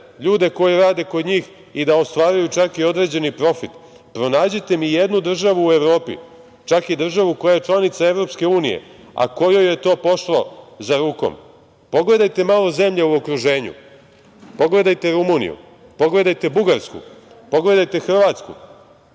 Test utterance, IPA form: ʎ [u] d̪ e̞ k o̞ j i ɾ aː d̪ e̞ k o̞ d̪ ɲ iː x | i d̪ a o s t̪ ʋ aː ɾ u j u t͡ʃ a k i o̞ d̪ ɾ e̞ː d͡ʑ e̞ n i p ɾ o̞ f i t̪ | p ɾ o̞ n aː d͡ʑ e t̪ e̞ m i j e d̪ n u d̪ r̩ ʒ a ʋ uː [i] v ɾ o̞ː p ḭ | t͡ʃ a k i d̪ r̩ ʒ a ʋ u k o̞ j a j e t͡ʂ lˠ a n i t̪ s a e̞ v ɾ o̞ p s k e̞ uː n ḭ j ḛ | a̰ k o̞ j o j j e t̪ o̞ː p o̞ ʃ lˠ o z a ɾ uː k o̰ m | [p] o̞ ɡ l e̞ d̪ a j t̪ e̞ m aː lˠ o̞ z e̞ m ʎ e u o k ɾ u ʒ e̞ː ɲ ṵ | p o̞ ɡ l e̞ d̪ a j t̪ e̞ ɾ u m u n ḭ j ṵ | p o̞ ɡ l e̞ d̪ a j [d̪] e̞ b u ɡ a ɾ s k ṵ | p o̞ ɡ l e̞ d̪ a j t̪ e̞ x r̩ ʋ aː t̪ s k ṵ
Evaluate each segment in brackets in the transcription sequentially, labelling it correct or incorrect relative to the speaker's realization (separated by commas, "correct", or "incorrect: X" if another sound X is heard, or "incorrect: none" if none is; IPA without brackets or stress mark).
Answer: incorrect: uː, incorrect: e, correct, incorrect: t̪